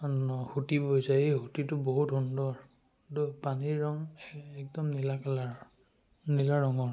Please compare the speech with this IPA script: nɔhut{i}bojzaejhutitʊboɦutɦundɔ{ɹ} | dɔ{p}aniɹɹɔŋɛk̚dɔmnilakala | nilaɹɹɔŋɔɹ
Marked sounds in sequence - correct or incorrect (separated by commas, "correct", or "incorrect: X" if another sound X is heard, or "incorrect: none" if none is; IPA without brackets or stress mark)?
correct, correct, correct